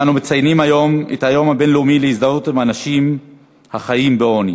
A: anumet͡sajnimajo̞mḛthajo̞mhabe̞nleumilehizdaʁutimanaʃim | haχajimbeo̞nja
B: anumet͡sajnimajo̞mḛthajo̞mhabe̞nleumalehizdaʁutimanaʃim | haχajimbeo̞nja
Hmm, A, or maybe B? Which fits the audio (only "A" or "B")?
A